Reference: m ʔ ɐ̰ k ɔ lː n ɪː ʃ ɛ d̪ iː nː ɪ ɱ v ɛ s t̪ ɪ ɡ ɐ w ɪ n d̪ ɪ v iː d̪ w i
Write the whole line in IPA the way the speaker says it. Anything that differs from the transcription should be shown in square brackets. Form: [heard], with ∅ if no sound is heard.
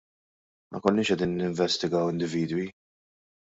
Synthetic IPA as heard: m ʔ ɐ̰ k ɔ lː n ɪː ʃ ɛ d̪ iː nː ɪ ɱ v ɛ s t̪ ɪ ɡ ɐ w ɪ n d̪ ɪ v iː d̪ w i

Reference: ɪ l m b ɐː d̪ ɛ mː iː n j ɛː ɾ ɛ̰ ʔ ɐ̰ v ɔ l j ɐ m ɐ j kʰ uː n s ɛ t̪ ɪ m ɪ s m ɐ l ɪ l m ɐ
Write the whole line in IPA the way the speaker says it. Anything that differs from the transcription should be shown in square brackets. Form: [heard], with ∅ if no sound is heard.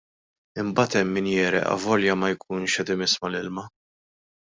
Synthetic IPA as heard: ɪ [∅] m b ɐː [t̪] ɛ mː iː n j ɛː ɾ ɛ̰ ʔ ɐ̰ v ɔ l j ɐ m ɐ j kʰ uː n [ʃ] ɛ t̪ ɪ m ɪ s m ɐ l ɪ l m ɐ

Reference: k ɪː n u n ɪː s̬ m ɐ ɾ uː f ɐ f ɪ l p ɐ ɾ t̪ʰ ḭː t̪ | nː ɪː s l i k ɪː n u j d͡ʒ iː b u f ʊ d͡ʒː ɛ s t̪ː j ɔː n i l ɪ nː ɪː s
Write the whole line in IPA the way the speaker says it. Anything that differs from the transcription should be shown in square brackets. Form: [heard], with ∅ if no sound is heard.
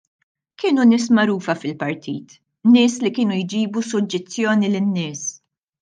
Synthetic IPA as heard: k ɪː n u n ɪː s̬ m ɐ ɾ uː f ɐ f ɪ l p ɐ ɾ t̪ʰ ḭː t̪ | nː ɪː s l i k ɪː n u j d͡ʒ iː b u [s] ʊ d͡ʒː ɛ s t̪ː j ɔː n i l ɪ nː ɪː s

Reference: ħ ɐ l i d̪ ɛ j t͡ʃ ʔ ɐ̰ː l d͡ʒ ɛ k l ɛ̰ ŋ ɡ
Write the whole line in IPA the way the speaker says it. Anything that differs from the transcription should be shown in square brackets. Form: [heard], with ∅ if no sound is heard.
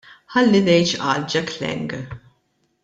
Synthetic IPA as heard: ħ ɐ [lː] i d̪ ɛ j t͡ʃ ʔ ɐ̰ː l d͡ʒ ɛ k l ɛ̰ ŋ ɡ

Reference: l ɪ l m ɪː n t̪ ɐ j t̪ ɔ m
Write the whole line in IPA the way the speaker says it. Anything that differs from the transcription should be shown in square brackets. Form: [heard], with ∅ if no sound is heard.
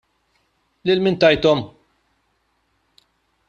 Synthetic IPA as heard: l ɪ l m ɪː n t̪ ɐ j t̪ ɔ m

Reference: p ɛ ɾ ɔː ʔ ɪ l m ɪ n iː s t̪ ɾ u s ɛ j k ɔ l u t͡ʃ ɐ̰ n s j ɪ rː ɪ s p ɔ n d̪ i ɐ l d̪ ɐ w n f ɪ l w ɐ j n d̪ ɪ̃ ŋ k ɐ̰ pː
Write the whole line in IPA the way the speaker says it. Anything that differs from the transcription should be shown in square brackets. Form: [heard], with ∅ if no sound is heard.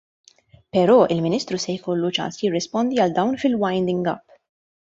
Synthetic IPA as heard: p ɛ ɾ ɔː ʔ ɪ l m ɪ n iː s t̪ ɾ u s ɛ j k ɔ [lː] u t͡ʃ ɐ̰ n s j ɪ rː ɪ s p ɔ n d̪ i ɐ l d̪ ɐ w n f ɪ l w ɐ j n d̪ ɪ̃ ŋ [ɡ] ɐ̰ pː

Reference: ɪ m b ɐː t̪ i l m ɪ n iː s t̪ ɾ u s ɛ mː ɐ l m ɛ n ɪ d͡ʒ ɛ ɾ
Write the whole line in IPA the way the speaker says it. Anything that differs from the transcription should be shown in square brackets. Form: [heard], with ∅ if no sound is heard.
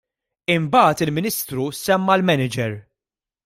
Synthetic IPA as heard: ɪ m b ɐː t̪ [ɪ] l m ɪ n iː s t̪ ɾ u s ɛ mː ɐ l m ɛ n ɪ d͡ʒ ɛ ɾ

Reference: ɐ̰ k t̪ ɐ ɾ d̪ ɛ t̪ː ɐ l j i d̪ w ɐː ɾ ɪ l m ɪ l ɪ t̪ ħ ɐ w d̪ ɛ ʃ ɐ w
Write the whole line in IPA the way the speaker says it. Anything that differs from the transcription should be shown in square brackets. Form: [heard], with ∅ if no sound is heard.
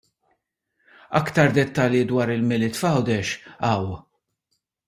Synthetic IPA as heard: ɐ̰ k t̪ ɐ ɾ d̪ ɛ t̪ː ɐ l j i d̪ w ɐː ɾ ɪ l m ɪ l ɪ t̪ [f] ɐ w d̪ ɛ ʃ ɐ w

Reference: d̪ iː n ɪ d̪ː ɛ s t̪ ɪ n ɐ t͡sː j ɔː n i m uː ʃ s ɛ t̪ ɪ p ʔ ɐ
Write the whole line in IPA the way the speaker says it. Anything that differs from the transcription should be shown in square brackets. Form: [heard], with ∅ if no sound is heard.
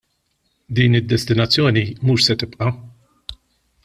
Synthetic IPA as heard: d̪ iː n ɪ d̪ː ɛ s t̪ ɪ n ɐ t͡sː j ɔː n i m uː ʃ s ɛ t̪ ɪ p ʔ ɐ

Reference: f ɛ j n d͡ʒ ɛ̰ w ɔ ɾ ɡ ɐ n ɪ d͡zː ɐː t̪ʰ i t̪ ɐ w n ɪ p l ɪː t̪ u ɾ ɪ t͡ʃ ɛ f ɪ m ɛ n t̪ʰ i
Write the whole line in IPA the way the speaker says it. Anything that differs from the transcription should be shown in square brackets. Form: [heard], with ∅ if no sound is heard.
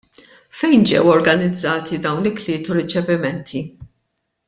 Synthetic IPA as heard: f ɛ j n d͡ʒ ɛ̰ w ɔ ɾ ɡ ɐ n ɪ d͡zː ɐː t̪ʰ i [d̪] ɐ w n ɪ [k] l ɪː t̪ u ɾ ɪ t͡ʃ ɛ [v] ɪ m ɛ n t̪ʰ i

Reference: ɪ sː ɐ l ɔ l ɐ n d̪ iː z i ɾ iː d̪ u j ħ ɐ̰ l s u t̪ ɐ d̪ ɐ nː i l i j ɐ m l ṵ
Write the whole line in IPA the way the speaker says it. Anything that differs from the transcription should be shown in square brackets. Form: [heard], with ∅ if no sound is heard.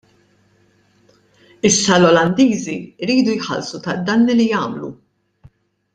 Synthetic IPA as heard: ɪ sː ɐ l ɔ l ɐ n d̪ iː z i ɾ iː d̪ u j ħ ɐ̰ l s u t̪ ɐ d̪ ɐ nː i l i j [ɐː] m l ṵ

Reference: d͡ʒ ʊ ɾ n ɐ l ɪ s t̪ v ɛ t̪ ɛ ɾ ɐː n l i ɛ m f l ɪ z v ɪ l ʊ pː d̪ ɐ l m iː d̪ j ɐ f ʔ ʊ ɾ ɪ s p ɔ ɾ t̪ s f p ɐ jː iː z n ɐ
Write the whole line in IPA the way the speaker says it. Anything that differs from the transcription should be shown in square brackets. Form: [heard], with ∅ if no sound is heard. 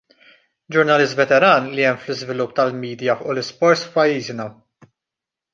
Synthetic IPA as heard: d͡ʒ ʊ ɾ n ɐ l ɪ s t̪ v ɛ t̪ ɛ ɾ ɐː n l i ɛ m f l ɪ z v ɪ l ʊ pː [t̪] ɐ l m iː d̪ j ɐ f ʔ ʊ [l] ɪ s p ɔ ɾ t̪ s f p ɐ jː iː z n ɐ

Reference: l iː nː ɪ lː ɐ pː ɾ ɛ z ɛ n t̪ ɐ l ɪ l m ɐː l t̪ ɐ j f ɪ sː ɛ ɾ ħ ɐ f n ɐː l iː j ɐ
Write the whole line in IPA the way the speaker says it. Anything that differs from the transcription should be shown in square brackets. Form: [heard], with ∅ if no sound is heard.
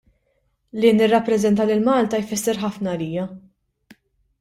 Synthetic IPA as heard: l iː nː ɪ [rː] ɐ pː ɾ ɛ z ɛ n t̪ ɐ l ɪ l m ɐː l t̪ ɐ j f ɪ sː ɛ ɾ ħ ɐ f n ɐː l iː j ɐ

